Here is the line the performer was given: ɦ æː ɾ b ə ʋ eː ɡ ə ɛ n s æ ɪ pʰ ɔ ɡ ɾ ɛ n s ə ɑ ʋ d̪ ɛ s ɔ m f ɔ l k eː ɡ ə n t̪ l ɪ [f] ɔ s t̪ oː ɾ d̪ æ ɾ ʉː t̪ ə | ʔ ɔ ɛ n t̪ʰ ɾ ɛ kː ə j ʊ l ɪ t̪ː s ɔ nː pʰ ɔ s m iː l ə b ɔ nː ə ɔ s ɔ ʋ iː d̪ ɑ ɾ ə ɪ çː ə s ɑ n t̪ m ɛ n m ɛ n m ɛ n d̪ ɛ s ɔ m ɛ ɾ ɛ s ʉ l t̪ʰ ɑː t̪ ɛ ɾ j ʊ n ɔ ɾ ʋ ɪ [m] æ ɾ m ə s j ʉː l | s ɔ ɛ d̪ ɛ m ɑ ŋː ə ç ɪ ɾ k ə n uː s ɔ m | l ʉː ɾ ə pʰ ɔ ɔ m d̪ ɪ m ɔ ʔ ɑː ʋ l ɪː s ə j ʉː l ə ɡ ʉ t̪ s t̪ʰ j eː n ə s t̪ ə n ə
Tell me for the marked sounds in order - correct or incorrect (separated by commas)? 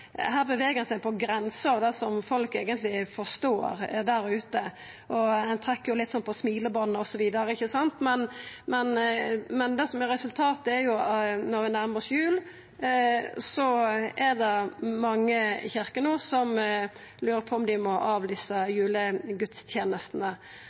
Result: correct, incorrect